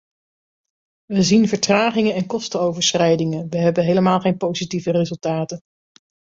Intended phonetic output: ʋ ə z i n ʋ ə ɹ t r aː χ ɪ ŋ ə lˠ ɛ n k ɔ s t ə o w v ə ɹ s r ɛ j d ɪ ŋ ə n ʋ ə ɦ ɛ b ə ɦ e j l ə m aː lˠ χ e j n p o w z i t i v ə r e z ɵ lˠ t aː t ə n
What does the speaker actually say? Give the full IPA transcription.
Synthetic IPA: ʋ ə z i n v ə ɹ t r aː χ ɪ ŋ ə ɛ n k ɔ s t ə o w v ə ɹ s r ɛ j d ɪ ŋ ə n ʋ ə ɦ ɛ b ə ɦ e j l ə m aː lˠ χ e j n p o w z i t i v ə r e z ɵ lˠ t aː t ə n